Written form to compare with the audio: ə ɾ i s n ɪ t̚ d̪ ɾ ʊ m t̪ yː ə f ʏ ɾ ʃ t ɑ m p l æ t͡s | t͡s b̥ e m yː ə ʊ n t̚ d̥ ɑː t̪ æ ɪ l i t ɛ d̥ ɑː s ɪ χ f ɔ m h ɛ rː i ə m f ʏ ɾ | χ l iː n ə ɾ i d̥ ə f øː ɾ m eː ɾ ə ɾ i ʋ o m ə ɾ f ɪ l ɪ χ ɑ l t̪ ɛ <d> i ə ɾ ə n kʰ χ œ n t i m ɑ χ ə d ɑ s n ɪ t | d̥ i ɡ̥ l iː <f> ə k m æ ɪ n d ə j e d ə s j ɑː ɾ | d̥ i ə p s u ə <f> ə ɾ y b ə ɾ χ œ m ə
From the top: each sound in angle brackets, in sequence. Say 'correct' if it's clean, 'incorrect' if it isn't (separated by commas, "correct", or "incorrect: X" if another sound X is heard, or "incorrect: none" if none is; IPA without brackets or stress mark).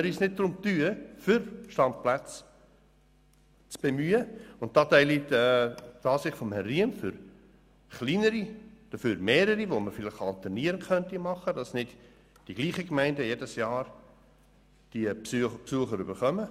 incorrect: n, incorrect: χ, incorrect: χ